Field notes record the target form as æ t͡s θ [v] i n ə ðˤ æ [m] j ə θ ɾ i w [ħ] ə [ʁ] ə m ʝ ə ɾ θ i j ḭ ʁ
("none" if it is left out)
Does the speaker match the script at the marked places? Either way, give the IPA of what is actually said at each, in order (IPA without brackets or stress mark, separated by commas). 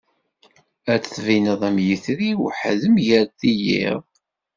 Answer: v, m, ħ, ð